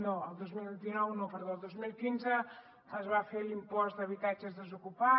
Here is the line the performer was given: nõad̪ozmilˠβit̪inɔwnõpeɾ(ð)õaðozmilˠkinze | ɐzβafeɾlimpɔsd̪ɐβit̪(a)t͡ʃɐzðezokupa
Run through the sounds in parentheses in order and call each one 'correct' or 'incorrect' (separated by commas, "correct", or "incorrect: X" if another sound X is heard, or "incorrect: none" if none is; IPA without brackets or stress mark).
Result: correct, correct